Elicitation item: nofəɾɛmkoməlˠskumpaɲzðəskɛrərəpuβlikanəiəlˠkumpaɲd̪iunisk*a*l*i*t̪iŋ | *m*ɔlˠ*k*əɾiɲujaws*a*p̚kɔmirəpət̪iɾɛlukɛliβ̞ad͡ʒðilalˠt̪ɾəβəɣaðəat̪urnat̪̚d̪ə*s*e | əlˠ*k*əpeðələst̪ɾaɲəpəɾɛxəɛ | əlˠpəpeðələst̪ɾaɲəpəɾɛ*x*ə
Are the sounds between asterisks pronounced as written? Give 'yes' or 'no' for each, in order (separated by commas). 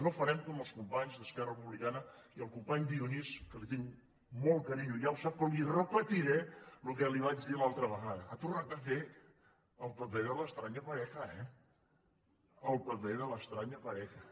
no, yes, yes, yes, yes, no, no, yes